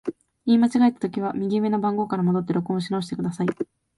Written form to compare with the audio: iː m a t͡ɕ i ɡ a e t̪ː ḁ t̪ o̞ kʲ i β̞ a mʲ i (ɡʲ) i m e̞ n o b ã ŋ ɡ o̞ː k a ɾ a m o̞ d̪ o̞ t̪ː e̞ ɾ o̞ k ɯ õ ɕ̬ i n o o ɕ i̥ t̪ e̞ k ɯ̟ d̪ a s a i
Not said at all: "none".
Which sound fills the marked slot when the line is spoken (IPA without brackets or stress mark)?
ɡʲ